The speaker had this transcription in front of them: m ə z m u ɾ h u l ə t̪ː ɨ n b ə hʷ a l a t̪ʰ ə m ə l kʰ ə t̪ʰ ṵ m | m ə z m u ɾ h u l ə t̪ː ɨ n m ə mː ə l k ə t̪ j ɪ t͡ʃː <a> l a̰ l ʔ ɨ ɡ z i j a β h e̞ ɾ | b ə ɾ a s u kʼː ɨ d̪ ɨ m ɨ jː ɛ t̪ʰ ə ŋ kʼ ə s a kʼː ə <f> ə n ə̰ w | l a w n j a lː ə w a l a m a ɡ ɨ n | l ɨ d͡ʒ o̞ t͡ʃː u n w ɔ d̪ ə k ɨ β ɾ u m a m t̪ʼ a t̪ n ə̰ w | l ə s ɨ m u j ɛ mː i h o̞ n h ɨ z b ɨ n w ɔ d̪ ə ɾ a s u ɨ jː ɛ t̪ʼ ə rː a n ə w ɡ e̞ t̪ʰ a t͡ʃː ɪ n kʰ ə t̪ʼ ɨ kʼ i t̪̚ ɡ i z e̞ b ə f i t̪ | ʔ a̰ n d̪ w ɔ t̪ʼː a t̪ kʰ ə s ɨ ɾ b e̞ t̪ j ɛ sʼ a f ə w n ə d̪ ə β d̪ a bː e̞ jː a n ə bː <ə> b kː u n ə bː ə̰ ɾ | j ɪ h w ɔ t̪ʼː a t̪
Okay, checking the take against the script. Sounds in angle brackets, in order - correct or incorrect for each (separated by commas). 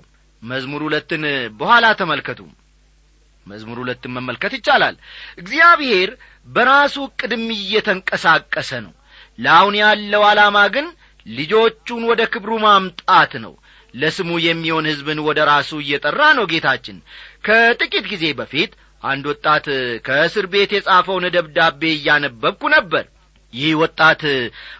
correct, incorrect, correct